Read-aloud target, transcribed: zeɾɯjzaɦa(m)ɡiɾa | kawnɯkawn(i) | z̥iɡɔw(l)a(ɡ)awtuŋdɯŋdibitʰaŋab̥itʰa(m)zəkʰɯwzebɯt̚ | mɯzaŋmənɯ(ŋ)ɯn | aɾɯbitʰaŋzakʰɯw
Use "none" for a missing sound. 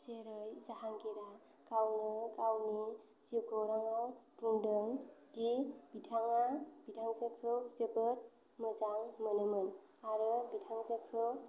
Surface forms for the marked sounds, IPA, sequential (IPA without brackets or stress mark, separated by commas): ŋ, i, ɾ, ŋ, ŋ, m